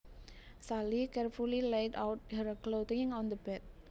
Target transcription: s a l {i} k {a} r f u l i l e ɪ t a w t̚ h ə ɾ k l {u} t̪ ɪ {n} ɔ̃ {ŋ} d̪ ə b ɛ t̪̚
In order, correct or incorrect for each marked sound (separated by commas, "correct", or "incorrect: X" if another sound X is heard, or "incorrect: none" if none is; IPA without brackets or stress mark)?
correct, incorrect: ɛ, incorrect: o, incorrect: ŋ, incorrect: n